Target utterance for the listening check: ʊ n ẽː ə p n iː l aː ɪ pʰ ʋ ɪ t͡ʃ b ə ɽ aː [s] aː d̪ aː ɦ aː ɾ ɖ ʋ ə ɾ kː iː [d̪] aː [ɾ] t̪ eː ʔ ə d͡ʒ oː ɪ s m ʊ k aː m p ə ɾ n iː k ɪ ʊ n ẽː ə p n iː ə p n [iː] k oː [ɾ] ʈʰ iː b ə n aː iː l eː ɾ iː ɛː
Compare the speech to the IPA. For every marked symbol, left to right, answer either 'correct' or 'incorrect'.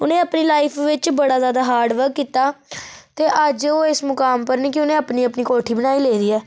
incorrect, incorrect, incorrect, correct, incorrect

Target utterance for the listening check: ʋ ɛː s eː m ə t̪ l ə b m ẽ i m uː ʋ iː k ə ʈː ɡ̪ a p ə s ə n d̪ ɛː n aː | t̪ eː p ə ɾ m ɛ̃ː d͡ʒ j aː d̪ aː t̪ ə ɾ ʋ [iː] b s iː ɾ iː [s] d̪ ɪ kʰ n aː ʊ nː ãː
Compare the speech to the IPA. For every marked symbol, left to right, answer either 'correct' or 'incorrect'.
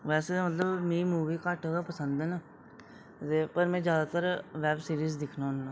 incorrect, incorrect

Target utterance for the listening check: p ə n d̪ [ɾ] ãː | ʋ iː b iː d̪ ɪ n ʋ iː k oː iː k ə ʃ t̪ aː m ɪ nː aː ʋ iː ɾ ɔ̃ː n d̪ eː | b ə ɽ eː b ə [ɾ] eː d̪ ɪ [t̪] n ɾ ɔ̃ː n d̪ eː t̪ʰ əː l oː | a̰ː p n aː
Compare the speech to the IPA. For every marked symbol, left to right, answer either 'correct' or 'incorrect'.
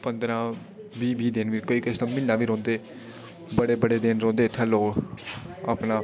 correct, incorrect, incorrect

